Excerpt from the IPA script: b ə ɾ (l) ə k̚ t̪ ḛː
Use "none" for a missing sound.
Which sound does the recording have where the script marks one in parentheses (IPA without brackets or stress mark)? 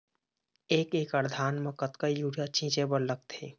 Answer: l